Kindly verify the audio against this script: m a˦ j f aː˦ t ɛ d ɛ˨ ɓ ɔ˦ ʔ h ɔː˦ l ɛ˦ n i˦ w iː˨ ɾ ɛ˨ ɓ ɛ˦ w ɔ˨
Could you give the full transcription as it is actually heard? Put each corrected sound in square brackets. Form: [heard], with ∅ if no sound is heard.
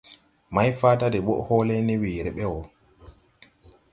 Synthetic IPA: m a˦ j f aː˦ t [a] d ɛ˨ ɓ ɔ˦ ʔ h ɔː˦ l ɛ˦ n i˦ w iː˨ ɾ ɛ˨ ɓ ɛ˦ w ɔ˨